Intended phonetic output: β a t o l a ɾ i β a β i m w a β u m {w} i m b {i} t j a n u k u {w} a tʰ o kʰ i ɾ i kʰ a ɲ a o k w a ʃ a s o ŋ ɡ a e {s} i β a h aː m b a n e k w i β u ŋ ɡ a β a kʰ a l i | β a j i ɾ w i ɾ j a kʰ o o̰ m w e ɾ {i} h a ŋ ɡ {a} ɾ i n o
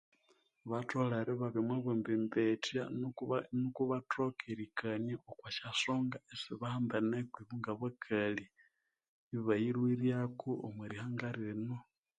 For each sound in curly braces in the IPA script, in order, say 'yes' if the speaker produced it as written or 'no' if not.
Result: no, no, no, yes, yes, yes

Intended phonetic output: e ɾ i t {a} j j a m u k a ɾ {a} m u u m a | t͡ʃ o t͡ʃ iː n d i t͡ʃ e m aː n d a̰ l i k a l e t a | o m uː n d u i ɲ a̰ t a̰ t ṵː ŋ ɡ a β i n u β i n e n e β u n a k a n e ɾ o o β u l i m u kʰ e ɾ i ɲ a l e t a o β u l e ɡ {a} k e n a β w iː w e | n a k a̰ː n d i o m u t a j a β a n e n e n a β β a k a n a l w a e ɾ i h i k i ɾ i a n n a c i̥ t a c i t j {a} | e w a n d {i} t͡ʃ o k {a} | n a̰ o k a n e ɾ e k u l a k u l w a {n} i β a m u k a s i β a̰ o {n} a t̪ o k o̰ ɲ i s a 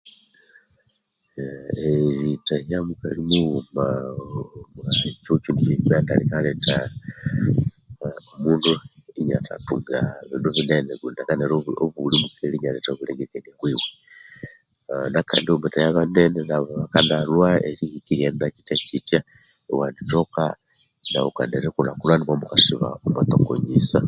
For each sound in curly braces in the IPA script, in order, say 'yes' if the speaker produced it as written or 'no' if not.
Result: yes, no, no, yes, yes, yes, yes, no

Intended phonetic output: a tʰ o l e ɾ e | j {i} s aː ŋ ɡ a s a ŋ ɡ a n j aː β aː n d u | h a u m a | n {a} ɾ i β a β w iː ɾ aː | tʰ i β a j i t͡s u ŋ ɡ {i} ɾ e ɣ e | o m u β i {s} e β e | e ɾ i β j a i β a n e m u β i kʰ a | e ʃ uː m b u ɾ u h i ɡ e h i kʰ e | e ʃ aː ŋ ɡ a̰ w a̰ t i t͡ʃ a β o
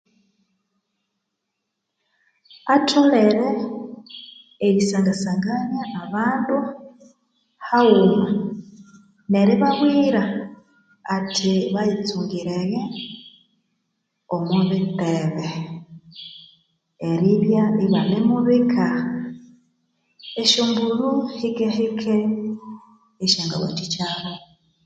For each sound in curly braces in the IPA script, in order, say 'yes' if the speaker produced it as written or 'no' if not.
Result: yes, no, yes, no

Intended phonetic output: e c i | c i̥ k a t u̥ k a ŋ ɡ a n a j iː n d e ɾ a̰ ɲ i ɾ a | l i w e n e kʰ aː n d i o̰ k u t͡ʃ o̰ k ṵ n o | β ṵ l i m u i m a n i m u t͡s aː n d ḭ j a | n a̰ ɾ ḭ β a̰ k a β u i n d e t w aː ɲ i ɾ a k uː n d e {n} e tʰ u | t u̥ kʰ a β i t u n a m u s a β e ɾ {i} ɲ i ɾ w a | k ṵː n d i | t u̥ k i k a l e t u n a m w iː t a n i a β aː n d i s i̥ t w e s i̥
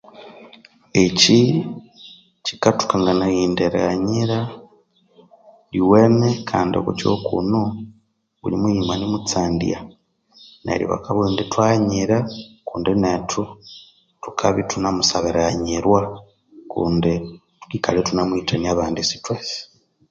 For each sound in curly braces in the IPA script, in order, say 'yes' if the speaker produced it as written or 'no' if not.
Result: yes, no

